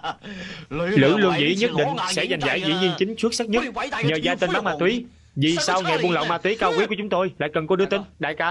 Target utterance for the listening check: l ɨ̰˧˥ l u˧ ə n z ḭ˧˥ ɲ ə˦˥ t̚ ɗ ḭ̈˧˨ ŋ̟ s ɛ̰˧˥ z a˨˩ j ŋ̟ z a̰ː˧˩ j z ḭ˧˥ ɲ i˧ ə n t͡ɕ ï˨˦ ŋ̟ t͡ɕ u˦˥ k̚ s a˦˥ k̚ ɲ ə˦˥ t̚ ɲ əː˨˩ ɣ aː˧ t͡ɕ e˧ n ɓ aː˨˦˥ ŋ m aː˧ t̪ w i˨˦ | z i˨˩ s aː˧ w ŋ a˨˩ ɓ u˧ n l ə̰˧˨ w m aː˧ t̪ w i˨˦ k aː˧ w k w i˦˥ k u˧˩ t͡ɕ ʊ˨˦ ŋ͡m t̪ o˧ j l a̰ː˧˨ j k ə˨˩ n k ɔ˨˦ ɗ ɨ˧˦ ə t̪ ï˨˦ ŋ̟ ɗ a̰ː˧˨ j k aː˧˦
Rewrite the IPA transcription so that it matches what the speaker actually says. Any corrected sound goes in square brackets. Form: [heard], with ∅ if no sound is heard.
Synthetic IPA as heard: l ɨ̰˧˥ l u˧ ə n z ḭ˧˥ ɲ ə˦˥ t̚ ɗ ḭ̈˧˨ ŋ̟ s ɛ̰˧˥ z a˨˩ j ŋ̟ z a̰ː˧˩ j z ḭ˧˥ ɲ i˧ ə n t͡ɕ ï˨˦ ŋ̟ t͡ɕ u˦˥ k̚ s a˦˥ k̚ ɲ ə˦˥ t̚ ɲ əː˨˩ [z] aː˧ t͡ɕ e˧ n ɓ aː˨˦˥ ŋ m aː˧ t̪ w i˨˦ | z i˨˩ s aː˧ w ŋ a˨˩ ɓ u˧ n l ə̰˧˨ w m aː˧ t̪ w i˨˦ k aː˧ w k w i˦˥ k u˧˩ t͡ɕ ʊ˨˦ ŋ͡m t̪ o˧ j l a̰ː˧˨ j k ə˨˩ n k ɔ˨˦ ɗ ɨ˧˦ ə t̪ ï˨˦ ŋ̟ ɗ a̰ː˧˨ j k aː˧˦